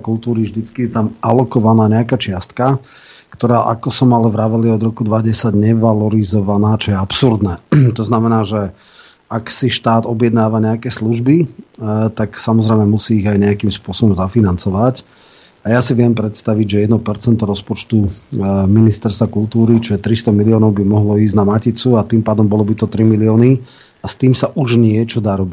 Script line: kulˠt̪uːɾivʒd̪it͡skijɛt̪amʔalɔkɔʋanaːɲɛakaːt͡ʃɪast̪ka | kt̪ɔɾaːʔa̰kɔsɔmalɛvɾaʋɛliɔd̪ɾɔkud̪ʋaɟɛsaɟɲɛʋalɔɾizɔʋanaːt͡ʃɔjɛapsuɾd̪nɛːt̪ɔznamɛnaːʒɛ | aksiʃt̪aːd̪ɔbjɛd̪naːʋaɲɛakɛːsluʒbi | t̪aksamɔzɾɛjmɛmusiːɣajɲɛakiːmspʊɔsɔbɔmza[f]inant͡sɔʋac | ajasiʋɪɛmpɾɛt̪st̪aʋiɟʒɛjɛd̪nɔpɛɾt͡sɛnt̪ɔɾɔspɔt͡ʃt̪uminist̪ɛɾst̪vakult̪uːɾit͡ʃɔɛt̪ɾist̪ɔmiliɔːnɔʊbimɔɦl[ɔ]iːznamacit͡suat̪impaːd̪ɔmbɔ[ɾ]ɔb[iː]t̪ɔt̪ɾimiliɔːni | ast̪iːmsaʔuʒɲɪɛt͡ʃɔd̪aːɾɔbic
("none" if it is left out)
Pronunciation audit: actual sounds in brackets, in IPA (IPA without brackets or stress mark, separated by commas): f, ɔ, l, i